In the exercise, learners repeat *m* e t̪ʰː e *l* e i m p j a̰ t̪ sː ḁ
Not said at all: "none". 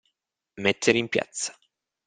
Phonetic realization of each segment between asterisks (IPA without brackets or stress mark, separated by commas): m, ɾ